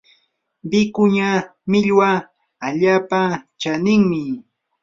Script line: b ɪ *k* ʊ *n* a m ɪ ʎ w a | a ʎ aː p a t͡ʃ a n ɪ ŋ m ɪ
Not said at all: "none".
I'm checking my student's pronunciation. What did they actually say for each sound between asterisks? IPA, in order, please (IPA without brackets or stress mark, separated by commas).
k, ɲ